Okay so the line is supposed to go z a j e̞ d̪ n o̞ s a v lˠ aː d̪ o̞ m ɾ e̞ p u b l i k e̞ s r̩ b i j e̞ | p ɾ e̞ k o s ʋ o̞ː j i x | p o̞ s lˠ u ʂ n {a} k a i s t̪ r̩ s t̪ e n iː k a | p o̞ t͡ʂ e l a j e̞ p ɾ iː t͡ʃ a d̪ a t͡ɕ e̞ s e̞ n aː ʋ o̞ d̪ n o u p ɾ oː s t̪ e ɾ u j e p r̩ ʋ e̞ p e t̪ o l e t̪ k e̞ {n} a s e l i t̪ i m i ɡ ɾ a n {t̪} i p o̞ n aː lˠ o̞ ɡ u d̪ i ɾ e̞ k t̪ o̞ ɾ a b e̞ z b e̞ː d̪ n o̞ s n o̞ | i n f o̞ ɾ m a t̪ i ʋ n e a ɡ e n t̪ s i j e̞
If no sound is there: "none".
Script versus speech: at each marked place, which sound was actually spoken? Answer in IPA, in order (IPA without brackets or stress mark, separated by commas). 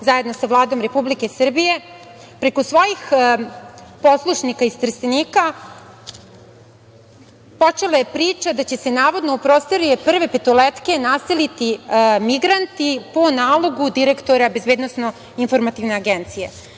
i, n, t̪